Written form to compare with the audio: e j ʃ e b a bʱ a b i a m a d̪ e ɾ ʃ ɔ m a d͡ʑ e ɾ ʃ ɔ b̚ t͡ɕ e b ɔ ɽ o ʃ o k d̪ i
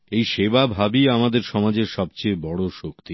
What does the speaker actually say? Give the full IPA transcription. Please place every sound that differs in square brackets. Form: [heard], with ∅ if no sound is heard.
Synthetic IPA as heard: e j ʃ e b a bʱ a b i a m a d̪ e ɾ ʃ ɔ m a d͡ʑ e ɾ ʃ ɔ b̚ t͡ɕ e b ɔ ɽ o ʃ o k [t̪] i

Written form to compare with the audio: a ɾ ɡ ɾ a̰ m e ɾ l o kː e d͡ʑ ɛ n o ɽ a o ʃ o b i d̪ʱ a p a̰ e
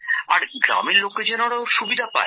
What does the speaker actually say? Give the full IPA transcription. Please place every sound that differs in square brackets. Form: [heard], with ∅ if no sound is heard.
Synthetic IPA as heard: a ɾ ɡ ɾ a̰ m e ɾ l o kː e d͡ʑ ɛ n o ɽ a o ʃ [u] b i d̪ʱ a p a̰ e

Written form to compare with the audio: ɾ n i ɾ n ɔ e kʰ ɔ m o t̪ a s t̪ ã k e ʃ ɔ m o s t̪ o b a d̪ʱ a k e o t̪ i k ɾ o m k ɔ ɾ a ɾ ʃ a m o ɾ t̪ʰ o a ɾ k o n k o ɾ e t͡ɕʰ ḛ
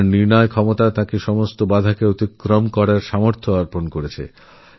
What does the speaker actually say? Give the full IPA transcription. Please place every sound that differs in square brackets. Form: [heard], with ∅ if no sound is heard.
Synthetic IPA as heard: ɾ n i ɾ n ɔ e kʰ ɔ m o t̪ a [∅] t̪ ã k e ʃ ɔ m o s t̪ o b a d̪ʱ a k e o t̪ i k ɾ o m k ɔ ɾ a ɾ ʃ a m o ɾ t̪ʰ o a ɾ [p] o n k o ɾ e t͡ɕʰ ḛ

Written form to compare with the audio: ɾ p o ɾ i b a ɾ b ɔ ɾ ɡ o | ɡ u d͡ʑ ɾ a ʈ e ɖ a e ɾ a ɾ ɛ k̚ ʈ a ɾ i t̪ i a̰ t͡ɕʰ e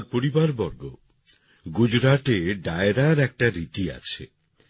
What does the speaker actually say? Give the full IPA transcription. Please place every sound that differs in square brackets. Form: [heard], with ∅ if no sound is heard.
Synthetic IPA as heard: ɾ p o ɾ i b a ɾ b ɔ ɾ ɡ o | ɡ u d͡ʑ ɾ a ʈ e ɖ a e ɾ a ɾ ɛ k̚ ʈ a ɾ i t̪ i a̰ t͡ɕʰ e

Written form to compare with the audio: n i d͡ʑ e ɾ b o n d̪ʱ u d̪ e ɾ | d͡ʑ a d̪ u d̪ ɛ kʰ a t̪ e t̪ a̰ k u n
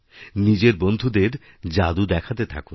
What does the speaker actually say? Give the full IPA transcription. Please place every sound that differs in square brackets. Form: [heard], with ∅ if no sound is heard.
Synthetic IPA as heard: n i d͡ʑ e ɾ b o n d̪ʱ u d̪ e ɾ | d͡ʑ a d̪ u d̪ ɛ kʰ a t̪ e [t̪ʰ] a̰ k u n

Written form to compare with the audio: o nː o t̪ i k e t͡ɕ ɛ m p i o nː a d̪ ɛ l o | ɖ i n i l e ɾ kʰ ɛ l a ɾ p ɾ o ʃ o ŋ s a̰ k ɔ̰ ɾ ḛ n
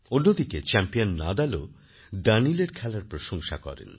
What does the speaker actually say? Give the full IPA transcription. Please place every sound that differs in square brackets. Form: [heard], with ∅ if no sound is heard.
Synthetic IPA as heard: o nː o [d̪] i k e t͡ɕ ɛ m p i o nː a d̪ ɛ l o | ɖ [a] n i l e ɾ kʰ ɛ l a ɾ p ɾ o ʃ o ŋ [ʃ] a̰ k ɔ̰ ɾ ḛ n

